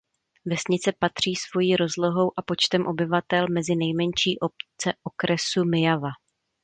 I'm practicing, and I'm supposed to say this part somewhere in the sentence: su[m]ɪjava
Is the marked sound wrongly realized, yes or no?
no